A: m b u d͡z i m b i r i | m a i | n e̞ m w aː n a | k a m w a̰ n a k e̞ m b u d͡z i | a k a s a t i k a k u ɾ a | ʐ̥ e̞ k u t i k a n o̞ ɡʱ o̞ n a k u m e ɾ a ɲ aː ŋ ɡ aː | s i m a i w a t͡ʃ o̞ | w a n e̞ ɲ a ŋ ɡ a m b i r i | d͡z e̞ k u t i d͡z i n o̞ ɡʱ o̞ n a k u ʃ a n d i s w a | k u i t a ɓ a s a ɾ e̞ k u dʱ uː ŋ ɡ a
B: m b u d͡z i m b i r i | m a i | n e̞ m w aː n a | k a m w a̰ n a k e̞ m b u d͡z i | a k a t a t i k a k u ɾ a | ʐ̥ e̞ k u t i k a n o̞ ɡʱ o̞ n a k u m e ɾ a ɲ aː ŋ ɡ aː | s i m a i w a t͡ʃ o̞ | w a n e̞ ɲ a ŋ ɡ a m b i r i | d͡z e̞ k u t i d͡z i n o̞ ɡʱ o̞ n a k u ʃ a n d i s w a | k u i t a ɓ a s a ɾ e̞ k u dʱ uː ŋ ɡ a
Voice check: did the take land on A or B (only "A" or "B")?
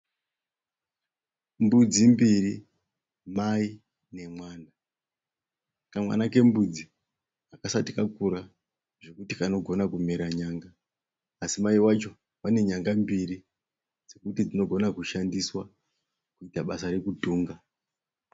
A